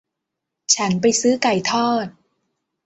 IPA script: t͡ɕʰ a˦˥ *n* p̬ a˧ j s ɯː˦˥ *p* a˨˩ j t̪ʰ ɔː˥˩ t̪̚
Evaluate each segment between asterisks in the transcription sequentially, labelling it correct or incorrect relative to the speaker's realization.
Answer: correct, incorrect: k

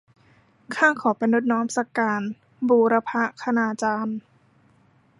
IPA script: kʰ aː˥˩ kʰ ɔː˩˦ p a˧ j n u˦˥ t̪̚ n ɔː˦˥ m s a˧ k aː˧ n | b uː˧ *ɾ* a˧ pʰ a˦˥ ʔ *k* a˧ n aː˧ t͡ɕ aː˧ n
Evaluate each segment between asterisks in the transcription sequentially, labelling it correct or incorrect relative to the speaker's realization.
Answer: correct, incorrect: kʰ

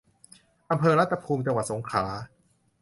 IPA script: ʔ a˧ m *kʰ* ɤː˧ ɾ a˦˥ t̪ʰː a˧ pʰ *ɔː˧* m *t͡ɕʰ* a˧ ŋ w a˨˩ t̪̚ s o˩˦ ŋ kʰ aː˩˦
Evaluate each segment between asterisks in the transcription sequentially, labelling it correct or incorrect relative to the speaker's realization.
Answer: incorrect: pʰ, incorrect: uː˧, incorrect: t͡ɕ

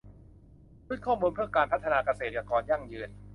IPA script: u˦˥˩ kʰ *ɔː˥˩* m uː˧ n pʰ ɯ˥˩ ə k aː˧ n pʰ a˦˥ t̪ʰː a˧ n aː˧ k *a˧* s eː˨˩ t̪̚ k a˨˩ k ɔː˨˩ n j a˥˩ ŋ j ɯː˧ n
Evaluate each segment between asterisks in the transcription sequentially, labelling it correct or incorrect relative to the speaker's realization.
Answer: correct, correct

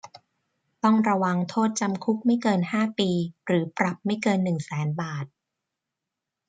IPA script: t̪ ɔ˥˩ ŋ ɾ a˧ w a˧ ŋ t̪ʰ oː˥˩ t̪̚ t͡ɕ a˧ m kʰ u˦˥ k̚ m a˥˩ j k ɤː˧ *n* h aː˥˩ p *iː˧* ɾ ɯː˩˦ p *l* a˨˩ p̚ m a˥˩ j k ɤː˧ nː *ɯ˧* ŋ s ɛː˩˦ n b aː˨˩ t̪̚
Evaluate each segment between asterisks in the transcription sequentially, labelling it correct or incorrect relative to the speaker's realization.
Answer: correct, correct, incorrect: ɾ, incorrect: ɯ˨˩

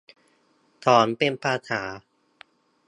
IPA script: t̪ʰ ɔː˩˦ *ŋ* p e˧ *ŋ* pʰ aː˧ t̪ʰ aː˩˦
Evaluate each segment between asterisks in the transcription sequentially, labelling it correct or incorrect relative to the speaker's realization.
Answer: incorrect: n, incorrect: n

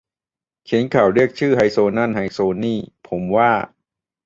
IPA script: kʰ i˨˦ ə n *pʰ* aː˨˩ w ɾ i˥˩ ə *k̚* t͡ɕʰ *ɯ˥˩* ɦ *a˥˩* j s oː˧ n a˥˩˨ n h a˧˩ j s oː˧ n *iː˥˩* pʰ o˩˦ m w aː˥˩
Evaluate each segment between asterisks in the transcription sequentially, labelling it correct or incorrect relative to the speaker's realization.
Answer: incorrect: kʰ, correct, incorrect: ɯː˥˩, incorrect: a˧˩, correct

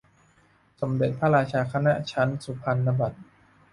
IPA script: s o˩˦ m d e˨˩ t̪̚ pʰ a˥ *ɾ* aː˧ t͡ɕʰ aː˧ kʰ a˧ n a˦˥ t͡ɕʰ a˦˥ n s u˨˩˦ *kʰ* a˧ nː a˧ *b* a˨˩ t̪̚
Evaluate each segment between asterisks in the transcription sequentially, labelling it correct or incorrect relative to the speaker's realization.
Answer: correct, incorrect: pʰ, correct

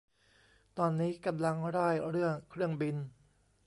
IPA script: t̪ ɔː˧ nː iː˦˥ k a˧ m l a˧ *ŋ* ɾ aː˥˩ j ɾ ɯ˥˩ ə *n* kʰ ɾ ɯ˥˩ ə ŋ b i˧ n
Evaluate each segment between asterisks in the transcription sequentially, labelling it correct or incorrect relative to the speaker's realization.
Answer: correct, incorrect: ŋ

